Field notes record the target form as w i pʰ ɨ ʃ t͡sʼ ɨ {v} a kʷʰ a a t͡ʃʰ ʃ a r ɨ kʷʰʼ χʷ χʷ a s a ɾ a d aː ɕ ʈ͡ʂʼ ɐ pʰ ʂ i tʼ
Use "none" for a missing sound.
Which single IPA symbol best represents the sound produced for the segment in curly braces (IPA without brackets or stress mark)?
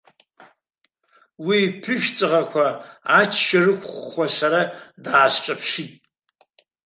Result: ʁ